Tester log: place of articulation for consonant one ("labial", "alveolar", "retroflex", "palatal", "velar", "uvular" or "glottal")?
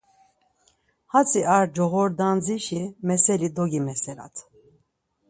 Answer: glottal